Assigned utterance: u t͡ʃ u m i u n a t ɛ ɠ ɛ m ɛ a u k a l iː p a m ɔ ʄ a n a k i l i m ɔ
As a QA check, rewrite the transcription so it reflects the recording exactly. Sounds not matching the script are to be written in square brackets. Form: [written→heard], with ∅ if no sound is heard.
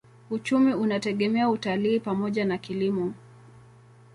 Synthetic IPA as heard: u t͡ʃ u m i u n a t ɛ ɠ ɛ m ɛ a u [k→t] a l iː p a m ɔ ʄ a n a k i l i m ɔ